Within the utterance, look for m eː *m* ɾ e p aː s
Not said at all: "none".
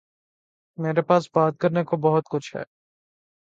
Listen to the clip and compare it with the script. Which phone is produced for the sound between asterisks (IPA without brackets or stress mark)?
none